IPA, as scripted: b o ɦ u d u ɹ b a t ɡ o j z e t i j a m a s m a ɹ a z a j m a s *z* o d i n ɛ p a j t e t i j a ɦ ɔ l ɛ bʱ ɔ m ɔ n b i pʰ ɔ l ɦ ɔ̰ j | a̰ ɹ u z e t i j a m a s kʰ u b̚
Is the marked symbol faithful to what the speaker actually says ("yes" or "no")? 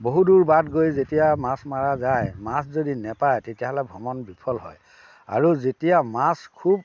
yes